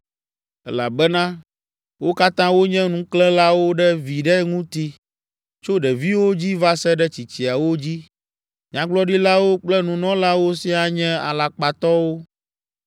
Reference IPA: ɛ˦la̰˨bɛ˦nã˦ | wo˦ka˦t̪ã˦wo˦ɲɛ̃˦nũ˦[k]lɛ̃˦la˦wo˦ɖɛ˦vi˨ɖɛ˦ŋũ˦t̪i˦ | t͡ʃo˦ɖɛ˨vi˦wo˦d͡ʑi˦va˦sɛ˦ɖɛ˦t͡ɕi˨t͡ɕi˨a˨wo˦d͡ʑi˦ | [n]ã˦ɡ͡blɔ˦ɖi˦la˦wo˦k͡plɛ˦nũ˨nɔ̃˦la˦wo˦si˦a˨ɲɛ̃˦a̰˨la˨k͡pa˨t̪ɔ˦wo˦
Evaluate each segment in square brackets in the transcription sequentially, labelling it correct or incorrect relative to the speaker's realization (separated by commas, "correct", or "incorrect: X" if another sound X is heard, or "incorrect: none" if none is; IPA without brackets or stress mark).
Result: correct, incorrect: ɲ